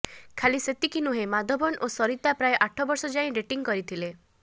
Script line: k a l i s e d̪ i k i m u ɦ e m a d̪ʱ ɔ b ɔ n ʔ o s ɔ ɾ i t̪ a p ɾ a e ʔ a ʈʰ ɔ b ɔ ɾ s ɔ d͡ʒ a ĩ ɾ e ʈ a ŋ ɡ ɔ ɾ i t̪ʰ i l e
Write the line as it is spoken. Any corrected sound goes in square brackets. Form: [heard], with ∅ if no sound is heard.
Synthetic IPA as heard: [kʰ] a l i s e [t̪] i k i [n] u ɦ e m a d̪ʱ ɔ b ɔ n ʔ o s ɔ ɾ i t̪ a p ɾ a e ʔ a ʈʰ ɔ b ɔ ɾ s ɔ d͡ʒ a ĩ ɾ e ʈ [i] ŋ [k] ɔ ɾ i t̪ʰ i l e